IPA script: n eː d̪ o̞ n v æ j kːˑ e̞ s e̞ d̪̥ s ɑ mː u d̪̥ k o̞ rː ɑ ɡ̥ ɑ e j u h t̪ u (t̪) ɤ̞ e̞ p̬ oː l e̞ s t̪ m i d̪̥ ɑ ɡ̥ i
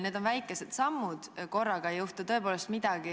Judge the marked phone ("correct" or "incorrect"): correct